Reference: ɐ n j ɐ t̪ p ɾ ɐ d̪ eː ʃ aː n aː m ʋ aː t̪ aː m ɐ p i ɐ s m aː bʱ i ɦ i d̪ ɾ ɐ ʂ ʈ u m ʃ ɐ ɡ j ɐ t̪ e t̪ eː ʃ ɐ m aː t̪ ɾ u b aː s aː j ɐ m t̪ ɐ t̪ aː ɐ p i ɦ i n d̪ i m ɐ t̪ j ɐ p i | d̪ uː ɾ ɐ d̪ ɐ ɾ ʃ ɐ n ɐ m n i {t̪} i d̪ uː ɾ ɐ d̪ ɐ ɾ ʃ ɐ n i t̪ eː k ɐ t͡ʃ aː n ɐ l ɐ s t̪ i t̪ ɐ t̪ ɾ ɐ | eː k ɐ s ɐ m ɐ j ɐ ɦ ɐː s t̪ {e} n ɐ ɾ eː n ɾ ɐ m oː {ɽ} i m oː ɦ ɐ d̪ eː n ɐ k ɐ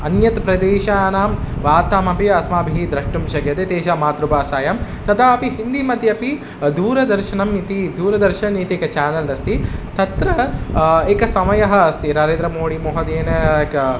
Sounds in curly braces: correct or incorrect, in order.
correct, incorrect, correct

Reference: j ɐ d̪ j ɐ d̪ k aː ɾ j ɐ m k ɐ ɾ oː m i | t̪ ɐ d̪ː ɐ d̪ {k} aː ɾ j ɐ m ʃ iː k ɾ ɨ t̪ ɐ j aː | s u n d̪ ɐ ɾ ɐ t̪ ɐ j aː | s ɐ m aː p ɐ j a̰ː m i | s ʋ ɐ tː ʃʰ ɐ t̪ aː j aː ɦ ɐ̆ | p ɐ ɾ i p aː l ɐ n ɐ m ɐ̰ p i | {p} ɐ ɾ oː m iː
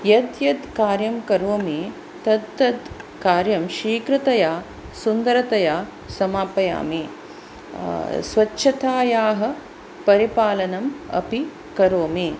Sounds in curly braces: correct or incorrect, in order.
correct, incorrect

